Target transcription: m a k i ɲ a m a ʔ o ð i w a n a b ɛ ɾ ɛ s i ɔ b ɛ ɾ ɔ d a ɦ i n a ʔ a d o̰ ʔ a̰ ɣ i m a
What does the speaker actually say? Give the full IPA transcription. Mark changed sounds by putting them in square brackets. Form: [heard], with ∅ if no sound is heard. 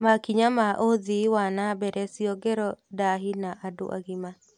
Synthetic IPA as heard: m a k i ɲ a m a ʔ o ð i w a n a b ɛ ɾ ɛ s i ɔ [ɡ] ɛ ɾ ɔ d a ɦ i n a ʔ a d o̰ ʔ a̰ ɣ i m a